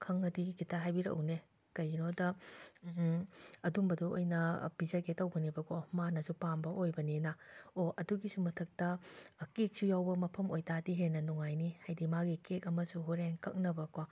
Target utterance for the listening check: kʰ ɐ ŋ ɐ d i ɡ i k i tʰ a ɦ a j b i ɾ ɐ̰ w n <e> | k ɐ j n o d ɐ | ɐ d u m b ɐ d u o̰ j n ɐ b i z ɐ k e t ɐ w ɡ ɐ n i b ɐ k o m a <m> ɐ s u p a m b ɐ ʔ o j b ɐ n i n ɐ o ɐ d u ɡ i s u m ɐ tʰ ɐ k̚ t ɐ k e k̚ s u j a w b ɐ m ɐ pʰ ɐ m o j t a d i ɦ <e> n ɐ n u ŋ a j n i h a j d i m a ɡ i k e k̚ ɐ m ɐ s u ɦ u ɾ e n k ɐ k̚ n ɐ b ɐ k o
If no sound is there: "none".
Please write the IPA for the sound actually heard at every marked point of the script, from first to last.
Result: e, n, e

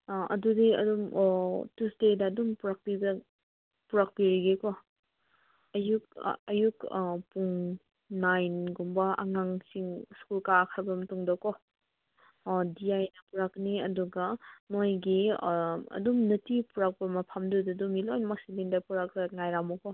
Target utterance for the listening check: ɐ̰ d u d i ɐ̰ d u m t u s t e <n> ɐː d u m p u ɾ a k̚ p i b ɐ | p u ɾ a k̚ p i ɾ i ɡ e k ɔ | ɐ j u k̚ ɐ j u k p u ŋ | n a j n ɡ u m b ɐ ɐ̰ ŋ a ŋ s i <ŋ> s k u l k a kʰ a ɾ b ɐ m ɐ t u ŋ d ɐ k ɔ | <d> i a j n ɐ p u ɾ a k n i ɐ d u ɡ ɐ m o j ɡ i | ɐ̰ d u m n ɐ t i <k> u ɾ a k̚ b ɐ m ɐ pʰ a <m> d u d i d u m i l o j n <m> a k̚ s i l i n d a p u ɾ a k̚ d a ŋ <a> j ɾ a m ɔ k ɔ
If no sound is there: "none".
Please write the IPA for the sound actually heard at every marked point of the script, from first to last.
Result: d, ŋ, d, p, m, m, a

